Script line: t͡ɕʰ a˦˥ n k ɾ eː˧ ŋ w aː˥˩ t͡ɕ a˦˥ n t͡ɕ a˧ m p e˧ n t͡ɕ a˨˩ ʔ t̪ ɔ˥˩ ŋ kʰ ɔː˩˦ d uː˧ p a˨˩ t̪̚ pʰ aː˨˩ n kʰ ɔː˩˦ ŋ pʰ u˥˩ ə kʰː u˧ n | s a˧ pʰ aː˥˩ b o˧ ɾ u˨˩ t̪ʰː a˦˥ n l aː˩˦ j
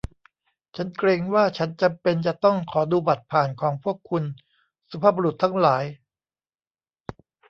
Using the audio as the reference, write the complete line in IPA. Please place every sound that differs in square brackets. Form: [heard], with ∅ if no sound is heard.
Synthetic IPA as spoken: t͡ɕʰ a˦˥ n k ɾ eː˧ ŋ w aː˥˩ [t͡ɕʰ] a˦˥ n t͡ɕ a˧ m p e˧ n t͡ɕ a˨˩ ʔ t̪ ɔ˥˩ ŋ kʰ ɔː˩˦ d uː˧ [b] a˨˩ t̪̚ pʰ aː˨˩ n kʰ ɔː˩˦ ŋ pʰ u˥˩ ə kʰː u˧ n | s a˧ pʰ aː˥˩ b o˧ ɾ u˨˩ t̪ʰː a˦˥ [ŋ] l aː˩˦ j

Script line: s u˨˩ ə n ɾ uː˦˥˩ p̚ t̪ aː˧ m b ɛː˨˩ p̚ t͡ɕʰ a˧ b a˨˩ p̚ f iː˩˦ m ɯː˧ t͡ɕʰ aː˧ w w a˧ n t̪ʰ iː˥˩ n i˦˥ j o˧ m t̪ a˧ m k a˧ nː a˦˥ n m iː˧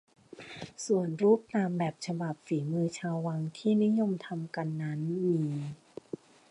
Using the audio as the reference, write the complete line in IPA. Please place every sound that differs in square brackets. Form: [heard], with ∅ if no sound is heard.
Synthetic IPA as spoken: s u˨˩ ə n ɾ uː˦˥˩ p̚ t̪ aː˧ m b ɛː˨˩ p̚ t͡ɕʰ a˧ b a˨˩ p̚ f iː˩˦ m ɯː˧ t͡ɕʰ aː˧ w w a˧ [ŋ] t̪ʰ iː˥˩ n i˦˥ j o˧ m [t̪ʰ] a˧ m k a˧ nː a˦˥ n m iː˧

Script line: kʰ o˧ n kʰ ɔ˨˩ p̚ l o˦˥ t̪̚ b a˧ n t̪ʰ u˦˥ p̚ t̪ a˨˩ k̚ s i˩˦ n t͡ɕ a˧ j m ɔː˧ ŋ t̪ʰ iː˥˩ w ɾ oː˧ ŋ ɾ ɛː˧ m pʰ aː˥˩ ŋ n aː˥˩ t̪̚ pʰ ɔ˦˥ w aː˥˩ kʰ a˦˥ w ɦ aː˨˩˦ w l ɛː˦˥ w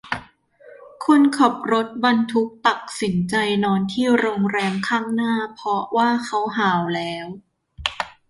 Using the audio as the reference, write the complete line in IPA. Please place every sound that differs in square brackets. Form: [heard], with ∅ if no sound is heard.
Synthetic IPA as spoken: kʰ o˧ n kʰ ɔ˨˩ p̚ [ɾ] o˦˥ t̪̚ b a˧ n t̪ʰ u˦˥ [k̚] t̪ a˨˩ k̚ s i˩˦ n t͡ɕ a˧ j [n] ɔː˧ [n] t̪ʰ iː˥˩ w ɾ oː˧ ŋ ɾ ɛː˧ m [kʰ] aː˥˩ ŋ n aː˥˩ [∅] pʰ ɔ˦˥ w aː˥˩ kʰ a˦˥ w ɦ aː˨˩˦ w l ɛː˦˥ w

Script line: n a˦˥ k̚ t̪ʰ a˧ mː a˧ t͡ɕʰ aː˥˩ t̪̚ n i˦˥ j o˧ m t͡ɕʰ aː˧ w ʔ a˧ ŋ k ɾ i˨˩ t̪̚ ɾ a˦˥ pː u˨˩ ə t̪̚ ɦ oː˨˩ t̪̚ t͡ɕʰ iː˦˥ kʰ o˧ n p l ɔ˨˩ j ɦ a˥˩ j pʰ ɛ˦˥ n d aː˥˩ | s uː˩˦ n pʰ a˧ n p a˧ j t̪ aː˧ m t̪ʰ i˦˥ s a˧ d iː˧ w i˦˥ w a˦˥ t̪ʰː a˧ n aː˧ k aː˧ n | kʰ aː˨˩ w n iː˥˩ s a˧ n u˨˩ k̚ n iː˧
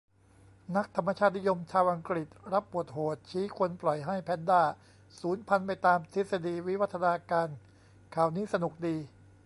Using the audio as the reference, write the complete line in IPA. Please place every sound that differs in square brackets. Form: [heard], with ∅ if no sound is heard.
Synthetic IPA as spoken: n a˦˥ k̚ t̪ʰ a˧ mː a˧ t͡ɕʰ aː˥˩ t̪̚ n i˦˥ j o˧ m t͡ɕʰ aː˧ w ʔ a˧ ŋ k ɾ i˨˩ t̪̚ ɾ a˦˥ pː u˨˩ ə t̪̚ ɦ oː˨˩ t̪̚ t͡ɕʰ iː˦˥ kʰ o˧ n p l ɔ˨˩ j ɦ a˥˩ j pʰ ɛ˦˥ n d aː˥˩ | s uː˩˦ n pʰ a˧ n p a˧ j t̪ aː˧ m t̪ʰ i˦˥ s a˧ d iː˧ w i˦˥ w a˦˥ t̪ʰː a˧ n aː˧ k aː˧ n | kʰ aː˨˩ w n [iː˦˥] s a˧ n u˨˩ k̚ [d] iː˧

